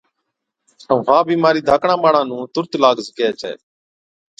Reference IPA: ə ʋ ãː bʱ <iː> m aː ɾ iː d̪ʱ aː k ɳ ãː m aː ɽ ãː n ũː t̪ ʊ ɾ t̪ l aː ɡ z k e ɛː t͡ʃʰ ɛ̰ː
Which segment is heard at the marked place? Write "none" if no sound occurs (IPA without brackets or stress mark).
iː